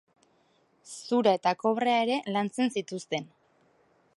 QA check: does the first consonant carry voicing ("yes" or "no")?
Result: no